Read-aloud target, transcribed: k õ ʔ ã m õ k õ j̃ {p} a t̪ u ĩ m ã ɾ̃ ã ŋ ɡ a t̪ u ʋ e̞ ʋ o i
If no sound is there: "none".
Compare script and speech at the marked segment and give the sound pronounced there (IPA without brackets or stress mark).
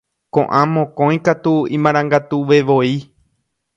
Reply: k